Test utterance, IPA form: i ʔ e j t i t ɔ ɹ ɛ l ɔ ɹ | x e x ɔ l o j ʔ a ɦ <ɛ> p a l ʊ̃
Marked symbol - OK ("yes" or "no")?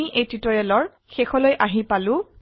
no